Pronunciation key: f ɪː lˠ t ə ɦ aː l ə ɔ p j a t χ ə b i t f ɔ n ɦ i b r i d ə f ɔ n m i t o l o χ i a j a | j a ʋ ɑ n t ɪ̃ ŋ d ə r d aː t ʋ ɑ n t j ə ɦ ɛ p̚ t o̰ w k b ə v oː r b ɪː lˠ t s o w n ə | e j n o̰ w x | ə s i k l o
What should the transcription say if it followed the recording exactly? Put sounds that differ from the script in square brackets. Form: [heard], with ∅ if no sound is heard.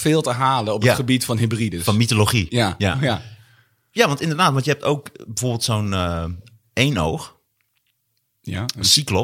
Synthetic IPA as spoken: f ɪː lˠ t ə ɦ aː l ə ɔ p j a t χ ə b i t f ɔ n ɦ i b r i d ə f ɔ n m i t o l o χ i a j a | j a ʋ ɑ n t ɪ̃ [n] d ə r d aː t ʋ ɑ n t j ə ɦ ɛ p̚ t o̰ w k b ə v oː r b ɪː lˠ t s o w n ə | e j n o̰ w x | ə s i k l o